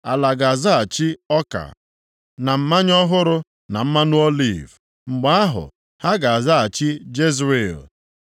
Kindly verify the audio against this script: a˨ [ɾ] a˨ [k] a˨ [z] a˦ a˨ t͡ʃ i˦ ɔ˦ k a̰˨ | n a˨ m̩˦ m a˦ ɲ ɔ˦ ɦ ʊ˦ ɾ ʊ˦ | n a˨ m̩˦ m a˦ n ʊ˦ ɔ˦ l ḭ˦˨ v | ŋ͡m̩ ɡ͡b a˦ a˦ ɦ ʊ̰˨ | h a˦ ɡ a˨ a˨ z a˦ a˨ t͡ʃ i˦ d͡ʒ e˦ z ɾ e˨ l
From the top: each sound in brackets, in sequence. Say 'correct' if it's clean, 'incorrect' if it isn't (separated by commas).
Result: incorrect, incorrect, correct